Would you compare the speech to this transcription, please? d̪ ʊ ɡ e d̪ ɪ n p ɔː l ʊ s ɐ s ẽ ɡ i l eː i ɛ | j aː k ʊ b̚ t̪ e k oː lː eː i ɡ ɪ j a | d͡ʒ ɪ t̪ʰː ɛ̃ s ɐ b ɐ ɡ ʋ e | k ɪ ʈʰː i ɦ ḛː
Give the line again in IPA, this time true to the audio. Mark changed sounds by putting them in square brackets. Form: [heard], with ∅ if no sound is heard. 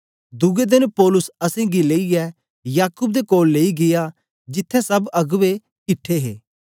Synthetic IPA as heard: d̪ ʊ ɡ e d̪ ɪ n p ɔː l ʊ s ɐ s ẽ ɡ i l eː i ɛ | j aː k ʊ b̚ [d̪] e k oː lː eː i ɡ ɪ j a | d͡ʒ ɪ t̪ʰː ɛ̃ s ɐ b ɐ ɡ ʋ e | k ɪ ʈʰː [e] ɦ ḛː